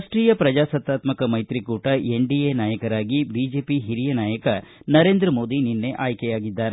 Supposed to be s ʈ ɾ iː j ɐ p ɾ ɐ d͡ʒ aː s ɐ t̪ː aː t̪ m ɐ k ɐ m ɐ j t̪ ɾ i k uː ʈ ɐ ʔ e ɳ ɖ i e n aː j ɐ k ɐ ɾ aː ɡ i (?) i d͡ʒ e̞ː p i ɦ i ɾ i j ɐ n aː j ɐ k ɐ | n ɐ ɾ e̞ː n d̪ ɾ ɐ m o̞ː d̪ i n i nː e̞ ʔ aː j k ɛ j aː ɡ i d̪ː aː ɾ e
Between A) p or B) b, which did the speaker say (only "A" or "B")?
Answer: B